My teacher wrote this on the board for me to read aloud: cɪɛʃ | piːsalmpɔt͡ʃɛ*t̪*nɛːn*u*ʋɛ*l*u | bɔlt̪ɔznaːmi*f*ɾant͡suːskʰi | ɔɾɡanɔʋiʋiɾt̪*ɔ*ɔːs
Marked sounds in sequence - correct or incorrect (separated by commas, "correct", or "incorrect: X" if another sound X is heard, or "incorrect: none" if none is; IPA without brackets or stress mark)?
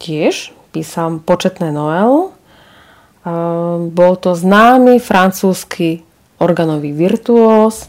correct, incorrect: ɔ, correct, correct, incorrect: u